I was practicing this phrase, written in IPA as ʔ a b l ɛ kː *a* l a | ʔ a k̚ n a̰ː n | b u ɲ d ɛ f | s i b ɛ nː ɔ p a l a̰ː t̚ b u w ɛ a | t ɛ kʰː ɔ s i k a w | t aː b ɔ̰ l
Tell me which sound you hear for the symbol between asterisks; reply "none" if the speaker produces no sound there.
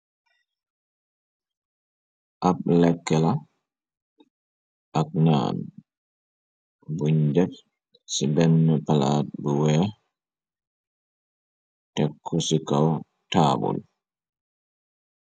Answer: ɛ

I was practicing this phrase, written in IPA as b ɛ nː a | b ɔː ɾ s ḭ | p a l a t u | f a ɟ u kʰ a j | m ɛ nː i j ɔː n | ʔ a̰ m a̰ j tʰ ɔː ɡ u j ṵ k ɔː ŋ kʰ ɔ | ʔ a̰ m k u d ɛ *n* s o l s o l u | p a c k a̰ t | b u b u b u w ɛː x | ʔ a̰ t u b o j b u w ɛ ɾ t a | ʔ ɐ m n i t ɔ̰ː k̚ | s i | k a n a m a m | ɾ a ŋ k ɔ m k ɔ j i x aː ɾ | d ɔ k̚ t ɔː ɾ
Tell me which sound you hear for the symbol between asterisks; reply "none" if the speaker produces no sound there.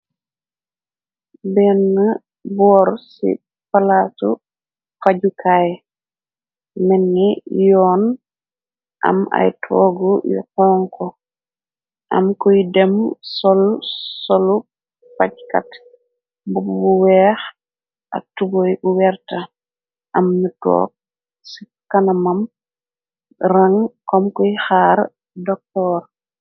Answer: m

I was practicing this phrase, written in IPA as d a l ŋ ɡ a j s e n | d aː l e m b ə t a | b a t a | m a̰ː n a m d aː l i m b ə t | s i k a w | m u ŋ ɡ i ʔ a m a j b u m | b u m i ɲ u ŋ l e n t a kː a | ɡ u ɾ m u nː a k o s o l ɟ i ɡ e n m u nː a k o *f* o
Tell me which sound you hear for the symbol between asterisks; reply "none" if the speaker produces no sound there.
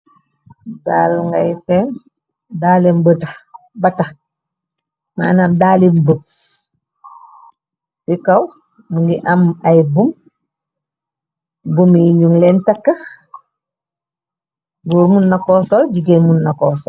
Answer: s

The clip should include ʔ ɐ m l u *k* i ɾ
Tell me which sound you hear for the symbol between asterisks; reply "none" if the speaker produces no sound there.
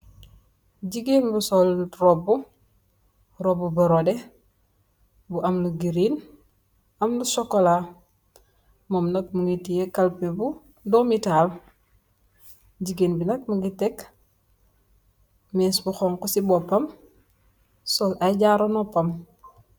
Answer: ɡ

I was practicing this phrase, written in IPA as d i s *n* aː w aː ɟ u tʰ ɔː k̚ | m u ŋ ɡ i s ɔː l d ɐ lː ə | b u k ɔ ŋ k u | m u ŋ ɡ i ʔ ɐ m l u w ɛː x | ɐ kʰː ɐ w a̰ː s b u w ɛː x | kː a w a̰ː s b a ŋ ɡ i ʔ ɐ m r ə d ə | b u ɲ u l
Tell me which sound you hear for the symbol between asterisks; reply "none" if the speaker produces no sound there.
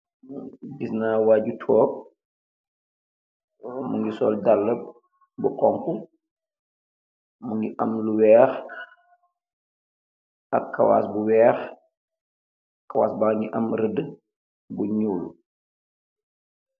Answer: n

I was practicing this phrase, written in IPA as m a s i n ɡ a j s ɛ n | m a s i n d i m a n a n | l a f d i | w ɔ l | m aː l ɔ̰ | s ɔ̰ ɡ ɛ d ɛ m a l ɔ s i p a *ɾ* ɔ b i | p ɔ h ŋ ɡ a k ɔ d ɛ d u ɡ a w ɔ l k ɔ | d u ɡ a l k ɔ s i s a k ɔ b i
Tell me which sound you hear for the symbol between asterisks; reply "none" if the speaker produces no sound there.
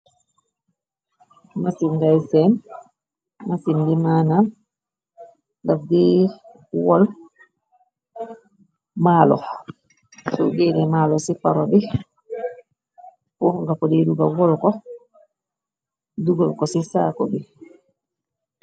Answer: ɾ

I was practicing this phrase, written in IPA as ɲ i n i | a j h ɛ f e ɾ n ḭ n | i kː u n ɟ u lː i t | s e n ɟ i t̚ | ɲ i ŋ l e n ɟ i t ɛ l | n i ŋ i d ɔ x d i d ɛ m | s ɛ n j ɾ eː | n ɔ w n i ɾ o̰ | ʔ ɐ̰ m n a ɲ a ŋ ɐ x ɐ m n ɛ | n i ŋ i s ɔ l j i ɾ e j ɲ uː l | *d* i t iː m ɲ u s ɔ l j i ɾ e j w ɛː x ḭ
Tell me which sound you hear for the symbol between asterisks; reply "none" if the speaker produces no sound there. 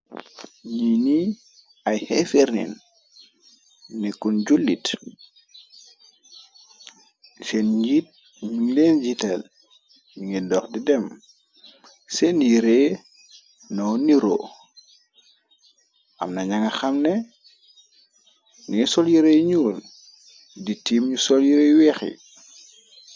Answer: d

